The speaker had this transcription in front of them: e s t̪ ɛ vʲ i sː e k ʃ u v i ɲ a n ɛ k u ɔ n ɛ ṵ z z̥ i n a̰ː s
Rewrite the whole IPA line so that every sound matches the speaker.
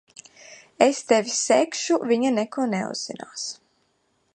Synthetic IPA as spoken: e s t̪ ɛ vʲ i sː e k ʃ u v i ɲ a n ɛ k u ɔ n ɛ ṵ z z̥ i n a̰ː s